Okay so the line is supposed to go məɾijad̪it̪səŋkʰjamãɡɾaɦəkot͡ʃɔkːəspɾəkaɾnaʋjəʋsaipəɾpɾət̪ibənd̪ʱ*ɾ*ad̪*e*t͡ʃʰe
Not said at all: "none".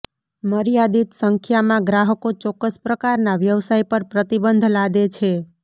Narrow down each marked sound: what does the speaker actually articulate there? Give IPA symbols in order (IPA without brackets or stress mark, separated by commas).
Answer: l, e